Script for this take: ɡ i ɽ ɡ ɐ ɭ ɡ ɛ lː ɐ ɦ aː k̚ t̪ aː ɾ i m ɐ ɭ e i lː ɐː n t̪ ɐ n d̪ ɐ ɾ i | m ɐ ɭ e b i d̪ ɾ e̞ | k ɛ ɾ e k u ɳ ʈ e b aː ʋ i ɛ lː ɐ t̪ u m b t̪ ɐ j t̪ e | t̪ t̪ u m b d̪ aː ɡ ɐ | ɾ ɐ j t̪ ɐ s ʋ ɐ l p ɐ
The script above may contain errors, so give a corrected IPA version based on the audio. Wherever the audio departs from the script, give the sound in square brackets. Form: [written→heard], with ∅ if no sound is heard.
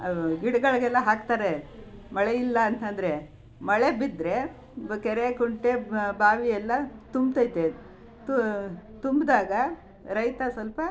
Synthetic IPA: ɡ i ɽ ɡ ɐ ɭ ɡ ɛ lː ɐ ɦ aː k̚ t̪ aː ɾ [i→e] m ɐ ɭ e i lː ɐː n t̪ ɐ n d̪ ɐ ɾ [i→e] | m ɐ ɭ e b i d̪ ɾ e̞ | k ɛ ɾ e k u ɳ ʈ e b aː ʋ i ɛ lː ɐ t̪ u m b t̪ ɐ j t̪ e | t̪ t̪ u m b d̪ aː ɡ ɐ | ɾ ɐ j t̪ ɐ s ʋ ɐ l p ɐ